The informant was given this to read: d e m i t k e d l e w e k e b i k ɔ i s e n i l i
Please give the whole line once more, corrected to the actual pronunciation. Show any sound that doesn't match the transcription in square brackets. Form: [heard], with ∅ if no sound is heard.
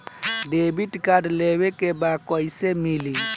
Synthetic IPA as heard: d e [b] i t k [a] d l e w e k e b [a] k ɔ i s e [m] i l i